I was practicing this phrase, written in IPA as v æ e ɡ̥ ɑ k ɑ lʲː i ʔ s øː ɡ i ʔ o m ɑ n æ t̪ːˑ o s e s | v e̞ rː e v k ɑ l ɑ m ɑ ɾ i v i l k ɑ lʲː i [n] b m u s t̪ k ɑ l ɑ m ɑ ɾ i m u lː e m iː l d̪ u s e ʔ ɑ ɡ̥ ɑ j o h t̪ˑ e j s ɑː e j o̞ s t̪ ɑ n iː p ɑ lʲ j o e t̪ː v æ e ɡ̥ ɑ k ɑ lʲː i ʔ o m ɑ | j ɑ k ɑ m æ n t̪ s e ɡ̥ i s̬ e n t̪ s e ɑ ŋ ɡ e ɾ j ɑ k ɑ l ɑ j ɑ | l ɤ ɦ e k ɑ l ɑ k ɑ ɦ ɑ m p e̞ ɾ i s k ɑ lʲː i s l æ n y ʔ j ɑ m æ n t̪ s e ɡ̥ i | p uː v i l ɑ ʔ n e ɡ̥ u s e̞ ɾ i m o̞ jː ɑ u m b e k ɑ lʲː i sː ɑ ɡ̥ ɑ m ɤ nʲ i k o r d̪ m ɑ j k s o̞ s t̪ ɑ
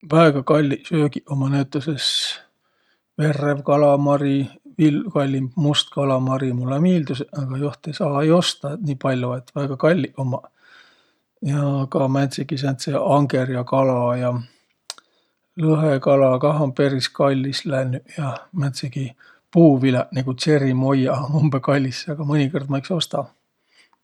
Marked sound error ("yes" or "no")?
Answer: yes